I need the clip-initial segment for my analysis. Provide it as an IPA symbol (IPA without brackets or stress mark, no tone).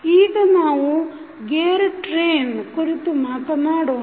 iː